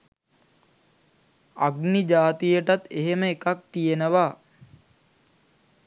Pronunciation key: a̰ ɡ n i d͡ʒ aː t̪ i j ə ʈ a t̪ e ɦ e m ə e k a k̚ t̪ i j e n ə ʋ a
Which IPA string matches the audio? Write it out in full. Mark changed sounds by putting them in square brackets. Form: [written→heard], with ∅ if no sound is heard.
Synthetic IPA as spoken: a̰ ɡ n i d͡ʒ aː t̪ i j ə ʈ a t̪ e ɦ e m ə e k a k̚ t̪ i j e n ə ʋ a